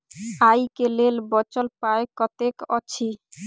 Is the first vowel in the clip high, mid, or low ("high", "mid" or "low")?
low